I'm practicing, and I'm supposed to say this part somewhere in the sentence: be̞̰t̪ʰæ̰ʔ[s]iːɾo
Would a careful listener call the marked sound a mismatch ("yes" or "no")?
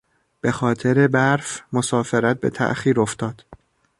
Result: yes